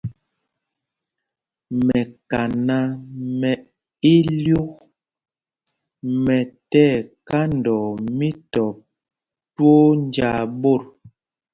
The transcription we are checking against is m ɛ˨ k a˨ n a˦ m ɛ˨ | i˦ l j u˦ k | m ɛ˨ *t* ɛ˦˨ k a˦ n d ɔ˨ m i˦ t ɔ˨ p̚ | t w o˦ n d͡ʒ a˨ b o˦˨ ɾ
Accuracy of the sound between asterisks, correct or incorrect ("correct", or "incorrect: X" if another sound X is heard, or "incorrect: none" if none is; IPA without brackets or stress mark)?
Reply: correct